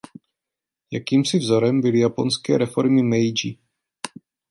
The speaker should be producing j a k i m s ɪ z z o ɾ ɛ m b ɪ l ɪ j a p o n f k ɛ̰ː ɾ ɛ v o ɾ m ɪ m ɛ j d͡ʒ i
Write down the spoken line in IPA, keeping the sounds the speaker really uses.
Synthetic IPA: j a k iː m s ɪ v z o ɾ ɛ m b ɪ l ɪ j a p o n s k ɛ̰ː ɾ ɛ f o ɾ m ɪ m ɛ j d͡ʒ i